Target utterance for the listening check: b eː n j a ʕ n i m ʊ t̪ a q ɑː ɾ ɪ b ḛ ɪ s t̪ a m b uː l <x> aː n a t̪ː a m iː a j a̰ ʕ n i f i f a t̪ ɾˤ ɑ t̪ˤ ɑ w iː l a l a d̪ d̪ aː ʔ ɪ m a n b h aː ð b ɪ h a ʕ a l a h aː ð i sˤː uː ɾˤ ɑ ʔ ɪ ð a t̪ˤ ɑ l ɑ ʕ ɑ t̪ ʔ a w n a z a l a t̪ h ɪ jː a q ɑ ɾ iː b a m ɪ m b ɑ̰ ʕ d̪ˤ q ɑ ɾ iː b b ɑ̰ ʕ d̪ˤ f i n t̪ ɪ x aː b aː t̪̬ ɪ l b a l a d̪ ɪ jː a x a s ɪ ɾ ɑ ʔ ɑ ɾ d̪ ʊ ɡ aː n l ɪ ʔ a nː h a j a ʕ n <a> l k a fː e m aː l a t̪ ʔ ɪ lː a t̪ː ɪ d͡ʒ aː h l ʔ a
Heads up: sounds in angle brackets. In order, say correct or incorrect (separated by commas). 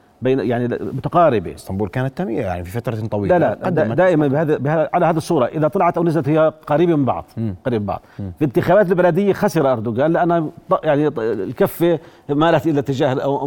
incorrect, incorrect